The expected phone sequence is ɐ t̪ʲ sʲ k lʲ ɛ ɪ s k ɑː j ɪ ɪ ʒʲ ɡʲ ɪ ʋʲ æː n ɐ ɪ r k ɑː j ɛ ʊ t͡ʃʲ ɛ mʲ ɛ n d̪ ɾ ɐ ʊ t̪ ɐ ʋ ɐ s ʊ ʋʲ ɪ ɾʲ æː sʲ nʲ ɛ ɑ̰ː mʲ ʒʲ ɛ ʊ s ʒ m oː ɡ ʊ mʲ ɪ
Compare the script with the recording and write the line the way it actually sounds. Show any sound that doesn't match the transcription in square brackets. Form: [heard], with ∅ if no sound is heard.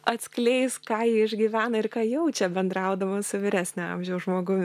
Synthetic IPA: ɐ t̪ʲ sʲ k lʲ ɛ ɪ s k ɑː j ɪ ɪ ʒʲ ɡʲ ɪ ʋʲ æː n ɐ ɪ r k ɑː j ɛ ʊ t͡ʃʲ ɛ [bʲ] ɛ n d̪ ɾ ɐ ʊ [d̪] ɐ ʋ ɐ s ʊ ʋʲ ɪ ɾʲ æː sʲ nʲ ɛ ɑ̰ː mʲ ʒʲ ɛ ʊ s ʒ m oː ɡ ʊ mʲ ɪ